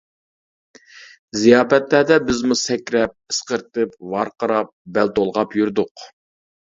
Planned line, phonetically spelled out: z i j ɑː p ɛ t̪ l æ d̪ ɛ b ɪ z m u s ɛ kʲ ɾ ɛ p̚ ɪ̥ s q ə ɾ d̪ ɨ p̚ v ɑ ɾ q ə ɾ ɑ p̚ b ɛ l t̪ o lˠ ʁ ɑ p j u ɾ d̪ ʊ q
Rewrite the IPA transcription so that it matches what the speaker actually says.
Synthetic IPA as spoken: z i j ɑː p ɛ t̪ l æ d̪ ɛ b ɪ z m u s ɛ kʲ ɾ ɛ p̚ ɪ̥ s q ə ɾ t̪ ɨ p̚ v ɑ ɾ q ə ɾ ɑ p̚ b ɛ l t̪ o lˠ ʁ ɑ p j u ɾ d̪ ʊ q